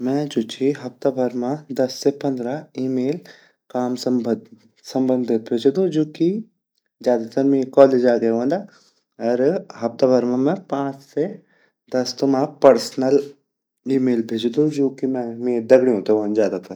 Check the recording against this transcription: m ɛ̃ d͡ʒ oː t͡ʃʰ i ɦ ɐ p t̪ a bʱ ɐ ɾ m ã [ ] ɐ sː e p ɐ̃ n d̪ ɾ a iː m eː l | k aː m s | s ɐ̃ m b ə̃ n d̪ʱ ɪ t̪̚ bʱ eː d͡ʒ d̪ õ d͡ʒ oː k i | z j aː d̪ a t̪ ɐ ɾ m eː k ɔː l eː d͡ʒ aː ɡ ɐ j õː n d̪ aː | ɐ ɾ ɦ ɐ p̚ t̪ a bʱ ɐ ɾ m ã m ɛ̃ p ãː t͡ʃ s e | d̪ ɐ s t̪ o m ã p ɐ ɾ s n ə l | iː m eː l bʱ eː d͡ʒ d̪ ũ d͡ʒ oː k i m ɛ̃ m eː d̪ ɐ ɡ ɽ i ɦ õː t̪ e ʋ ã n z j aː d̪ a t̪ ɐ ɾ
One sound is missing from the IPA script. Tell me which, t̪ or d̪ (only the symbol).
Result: d̪